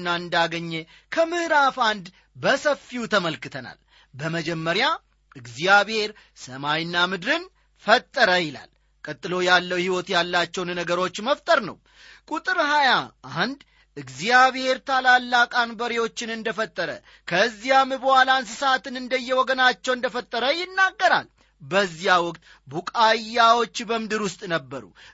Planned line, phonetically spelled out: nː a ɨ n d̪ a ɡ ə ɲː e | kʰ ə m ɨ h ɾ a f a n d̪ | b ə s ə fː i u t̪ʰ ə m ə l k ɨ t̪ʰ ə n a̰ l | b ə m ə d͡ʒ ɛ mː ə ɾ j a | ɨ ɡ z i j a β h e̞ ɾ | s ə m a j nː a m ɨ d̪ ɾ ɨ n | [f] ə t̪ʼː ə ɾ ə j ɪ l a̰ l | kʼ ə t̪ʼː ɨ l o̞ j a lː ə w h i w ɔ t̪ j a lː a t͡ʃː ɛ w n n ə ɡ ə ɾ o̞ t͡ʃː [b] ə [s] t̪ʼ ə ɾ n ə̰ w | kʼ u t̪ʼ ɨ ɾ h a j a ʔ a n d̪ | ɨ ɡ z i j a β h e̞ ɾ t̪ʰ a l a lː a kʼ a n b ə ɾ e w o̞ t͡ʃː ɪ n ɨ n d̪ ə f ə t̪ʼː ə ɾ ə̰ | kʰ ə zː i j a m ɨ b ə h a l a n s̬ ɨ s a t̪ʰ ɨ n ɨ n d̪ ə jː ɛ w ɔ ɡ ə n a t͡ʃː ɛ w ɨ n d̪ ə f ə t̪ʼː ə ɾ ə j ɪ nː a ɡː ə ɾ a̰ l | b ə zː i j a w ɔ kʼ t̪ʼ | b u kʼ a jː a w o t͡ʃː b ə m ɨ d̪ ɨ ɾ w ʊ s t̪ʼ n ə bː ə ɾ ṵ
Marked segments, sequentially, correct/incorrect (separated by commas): correct, incorrect, incorrect